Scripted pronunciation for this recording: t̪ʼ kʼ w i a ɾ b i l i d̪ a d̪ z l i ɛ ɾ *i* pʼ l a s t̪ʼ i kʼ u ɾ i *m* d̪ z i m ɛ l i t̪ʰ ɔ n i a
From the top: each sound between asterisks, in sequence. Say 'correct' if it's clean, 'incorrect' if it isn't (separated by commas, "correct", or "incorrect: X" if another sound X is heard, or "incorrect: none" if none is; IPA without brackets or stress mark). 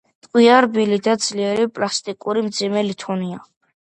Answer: correct, correct